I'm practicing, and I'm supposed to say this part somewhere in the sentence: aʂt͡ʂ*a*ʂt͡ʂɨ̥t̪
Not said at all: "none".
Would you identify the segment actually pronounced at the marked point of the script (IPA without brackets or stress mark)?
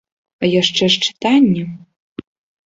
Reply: ɛ